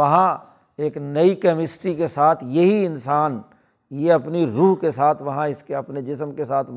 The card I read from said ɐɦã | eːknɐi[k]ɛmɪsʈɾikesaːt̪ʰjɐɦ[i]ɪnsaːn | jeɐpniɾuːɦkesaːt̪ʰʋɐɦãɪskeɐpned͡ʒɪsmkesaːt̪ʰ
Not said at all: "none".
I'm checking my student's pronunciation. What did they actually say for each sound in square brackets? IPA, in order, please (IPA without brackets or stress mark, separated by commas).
k, i